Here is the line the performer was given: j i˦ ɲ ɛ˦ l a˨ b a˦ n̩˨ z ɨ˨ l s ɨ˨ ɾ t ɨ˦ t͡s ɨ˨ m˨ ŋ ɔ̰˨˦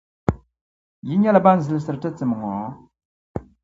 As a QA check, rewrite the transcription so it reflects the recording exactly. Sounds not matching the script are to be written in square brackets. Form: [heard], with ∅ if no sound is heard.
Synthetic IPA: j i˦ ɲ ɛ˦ l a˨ b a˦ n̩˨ z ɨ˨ l s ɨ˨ ɾ t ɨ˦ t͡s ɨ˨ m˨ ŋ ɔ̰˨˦